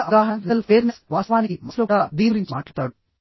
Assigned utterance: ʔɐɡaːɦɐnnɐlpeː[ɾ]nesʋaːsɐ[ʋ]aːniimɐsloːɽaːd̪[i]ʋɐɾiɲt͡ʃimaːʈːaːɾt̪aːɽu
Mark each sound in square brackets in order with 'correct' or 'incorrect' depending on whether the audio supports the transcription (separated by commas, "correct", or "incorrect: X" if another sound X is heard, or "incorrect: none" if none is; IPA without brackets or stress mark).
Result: correct, correct, incorrect: iː